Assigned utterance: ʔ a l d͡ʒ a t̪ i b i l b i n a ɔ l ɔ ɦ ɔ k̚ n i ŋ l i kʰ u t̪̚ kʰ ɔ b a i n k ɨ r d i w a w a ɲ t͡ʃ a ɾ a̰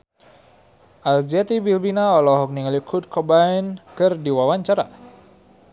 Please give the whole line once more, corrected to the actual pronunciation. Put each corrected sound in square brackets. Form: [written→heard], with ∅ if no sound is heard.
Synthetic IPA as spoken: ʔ a l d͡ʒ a t̪ i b i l b i n a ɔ l ɔ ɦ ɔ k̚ n i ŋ l i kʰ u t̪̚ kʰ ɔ b a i n k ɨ r d i w a w a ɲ t͡ʃ a ɾ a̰